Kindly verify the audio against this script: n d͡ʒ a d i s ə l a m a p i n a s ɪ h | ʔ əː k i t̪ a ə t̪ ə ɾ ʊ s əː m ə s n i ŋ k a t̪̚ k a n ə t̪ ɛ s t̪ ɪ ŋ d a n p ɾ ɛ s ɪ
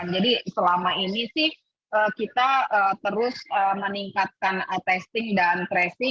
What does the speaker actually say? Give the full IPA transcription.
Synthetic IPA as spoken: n d͡ʒ a d i s ə l a m a i n i s ɪ h | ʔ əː k i t̪ a ə t̪ ə ɾ ʊ s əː m ə n i ŋ k a t̪̚ k a n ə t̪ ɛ s t̪ ɪ ŋ d a n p ɾ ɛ s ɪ